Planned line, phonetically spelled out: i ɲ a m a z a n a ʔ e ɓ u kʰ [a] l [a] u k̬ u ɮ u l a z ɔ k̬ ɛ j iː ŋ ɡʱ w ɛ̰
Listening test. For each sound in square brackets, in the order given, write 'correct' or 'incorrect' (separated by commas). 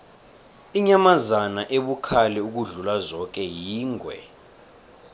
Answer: correct, incorrect